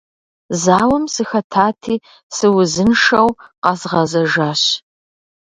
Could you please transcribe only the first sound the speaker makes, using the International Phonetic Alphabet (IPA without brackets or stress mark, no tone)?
z